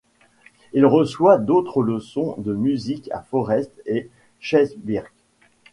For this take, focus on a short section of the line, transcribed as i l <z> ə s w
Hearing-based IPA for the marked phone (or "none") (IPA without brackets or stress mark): ʁ